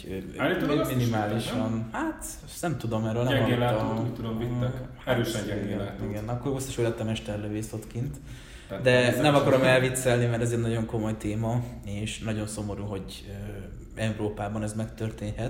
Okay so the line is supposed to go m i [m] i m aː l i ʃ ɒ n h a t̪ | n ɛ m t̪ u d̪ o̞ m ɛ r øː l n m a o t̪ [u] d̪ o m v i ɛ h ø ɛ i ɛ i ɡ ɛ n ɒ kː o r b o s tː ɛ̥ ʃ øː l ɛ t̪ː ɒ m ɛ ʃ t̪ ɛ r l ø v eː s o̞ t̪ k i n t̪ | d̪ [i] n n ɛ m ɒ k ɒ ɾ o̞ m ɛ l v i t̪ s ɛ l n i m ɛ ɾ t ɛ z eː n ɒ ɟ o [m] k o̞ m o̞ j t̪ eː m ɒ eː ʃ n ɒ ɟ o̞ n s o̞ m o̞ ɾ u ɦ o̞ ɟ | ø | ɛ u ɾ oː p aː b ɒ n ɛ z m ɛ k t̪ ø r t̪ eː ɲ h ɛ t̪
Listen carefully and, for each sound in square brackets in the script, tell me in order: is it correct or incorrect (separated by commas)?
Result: incorrect, correct, incorrect, incorrect